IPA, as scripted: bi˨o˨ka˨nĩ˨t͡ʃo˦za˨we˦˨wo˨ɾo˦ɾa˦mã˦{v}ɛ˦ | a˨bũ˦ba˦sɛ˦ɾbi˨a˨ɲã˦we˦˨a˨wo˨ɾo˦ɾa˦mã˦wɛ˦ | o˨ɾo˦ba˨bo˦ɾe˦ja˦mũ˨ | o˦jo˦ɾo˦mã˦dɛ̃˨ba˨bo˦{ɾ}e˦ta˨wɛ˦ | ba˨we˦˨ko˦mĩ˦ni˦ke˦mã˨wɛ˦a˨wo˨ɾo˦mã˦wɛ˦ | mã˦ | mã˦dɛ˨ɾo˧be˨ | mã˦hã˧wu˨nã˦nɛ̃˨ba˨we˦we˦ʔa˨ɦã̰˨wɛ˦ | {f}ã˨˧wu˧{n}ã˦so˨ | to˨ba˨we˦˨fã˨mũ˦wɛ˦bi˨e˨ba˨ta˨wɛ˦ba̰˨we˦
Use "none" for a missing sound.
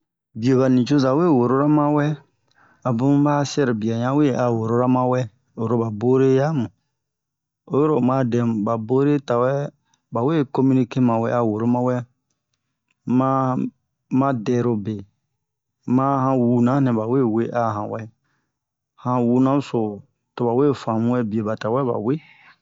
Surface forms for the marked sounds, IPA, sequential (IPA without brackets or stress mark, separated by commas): w, ɾ, h, n